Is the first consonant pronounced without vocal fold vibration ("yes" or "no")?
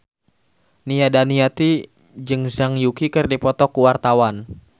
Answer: no